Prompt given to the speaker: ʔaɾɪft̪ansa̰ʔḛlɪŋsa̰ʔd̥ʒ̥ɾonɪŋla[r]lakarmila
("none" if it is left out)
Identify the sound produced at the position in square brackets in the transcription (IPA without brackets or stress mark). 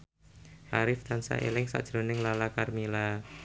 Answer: none